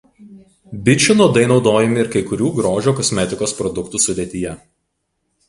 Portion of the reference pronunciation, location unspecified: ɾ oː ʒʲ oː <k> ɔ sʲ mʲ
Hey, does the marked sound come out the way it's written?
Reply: yes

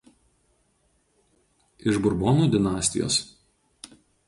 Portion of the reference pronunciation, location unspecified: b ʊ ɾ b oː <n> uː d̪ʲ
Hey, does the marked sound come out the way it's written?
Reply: yes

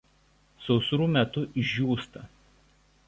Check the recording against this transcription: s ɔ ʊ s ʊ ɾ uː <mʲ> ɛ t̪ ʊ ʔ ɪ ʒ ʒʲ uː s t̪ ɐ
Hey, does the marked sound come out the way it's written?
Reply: yes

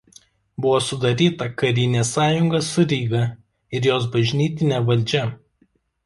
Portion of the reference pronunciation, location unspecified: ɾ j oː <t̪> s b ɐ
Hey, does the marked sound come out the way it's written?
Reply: no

